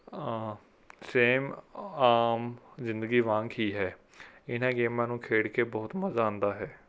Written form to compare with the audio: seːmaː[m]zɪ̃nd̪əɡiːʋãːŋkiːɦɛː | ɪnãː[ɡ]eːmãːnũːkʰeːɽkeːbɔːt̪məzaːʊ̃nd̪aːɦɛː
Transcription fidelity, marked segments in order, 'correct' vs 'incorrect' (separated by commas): correct, correct